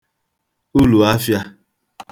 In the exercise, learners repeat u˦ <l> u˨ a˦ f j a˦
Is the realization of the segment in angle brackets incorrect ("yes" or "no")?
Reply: no